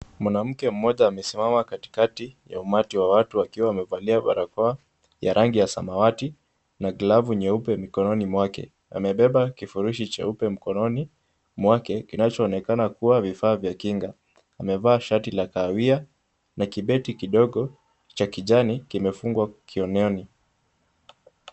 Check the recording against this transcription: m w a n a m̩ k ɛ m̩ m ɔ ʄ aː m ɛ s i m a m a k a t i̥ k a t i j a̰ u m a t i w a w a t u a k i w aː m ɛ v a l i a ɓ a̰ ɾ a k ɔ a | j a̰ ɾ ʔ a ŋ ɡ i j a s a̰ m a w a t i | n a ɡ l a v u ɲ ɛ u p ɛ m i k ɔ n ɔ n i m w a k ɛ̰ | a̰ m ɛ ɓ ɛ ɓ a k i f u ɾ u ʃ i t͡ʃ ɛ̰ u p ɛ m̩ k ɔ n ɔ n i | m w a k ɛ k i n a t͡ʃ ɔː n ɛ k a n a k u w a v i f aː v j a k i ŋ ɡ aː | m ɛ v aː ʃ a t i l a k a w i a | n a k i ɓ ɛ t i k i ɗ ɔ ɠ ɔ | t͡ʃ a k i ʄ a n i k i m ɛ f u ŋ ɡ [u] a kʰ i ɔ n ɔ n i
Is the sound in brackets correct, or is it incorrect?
incorrect